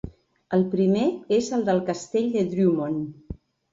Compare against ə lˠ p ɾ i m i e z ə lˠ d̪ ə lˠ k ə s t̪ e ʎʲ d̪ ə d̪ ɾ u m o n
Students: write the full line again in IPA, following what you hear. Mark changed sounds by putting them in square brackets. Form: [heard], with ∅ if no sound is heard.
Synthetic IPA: ə lˠ p ɾ i m [e] e z ə lˠ d̪ ə lˠ k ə s t̪ e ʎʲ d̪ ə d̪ ɾ u m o n